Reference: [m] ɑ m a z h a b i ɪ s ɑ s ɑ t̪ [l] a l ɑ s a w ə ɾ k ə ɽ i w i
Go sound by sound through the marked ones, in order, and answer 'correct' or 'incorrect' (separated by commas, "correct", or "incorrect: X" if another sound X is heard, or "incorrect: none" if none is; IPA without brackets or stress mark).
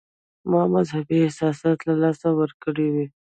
correct, correct